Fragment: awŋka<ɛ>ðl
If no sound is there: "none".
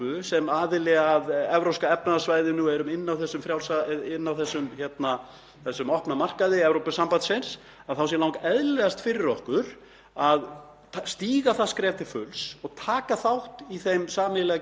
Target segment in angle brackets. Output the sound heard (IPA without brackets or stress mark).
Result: ɛ